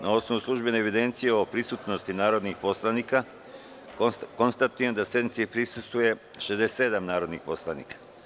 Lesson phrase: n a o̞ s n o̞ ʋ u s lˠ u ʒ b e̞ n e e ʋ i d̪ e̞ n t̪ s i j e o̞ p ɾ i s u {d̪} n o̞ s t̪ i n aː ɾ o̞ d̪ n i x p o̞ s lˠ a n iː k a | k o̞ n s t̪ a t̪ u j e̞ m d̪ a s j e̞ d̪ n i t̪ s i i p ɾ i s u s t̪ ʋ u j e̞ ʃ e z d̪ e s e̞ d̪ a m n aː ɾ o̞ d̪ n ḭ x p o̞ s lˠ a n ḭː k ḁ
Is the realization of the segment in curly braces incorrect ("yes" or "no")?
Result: yes